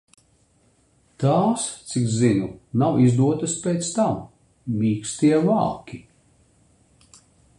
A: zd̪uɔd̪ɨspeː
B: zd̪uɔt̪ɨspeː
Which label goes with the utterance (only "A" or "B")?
B